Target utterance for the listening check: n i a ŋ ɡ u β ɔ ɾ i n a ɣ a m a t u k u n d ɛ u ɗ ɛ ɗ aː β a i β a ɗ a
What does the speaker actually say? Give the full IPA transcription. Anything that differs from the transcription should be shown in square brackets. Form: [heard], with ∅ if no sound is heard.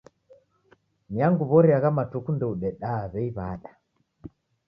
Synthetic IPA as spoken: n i a ŋ ɡ u β ɔ ɾ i [∅] a ɣ a m a t u k u n d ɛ u ɗ ɛ ɗ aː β [ɛ] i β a ɗ a

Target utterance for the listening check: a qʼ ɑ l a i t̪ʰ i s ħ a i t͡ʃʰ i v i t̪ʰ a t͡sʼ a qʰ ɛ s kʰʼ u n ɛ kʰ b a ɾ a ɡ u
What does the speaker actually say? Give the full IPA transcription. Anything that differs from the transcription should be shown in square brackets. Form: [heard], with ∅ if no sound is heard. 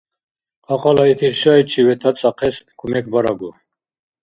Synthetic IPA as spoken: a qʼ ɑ l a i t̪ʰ i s [ʃ] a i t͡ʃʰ i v [ɛ] t̪ʰ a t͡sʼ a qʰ ɛ s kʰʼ u [m] ɛ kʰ b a ɾ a ɡ u

